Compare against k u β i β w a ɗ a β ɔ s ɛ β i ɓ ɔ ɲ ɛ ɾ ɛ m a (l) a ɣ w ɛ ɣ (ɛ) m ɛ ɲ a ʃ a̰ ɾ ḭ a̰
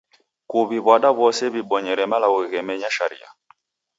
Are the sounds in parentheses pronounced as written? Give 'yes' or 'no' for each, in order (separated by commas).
yes, yes